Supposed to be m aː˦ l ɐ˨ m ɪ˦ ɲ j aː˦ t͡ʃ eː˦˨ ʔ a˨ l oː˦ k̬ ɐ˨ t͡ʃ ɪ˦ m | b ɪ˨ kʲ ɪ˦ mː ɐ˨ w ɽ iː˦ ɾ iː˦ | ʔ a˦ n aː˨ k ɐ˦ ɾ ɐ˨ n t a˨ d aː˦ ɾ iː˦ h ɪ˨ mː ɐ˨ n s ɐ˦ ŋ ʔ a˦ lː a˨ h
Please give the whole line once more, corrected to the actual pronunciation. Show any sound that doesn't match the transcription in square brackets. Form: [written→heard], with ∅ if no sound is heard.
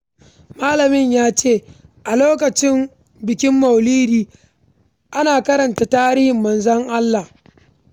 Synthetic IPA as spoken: m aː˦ l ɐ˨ m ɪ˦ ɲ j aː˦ t͡ʃ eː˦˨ ʔ a˨ l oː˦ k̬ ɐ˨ t͡ʃ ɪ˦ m | b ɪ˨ kʲ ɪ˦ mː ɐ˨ w [ɽ→l] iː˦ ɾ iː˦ | ʔ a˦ n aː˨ k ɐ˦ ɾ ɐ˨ n t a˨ [d→t] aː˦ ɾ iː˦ h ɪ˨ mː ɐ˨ n [s→z] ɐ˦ ŋ ʔ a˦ lː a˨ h